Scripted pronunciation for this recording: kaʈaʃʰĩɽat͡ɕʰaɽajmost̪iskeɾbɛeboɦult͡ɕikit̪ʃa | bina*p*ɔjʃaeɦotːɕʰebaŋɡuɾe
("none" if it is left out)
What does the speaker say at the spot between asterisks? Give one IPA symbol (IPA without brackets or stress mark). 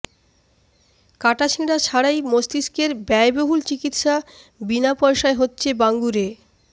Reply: p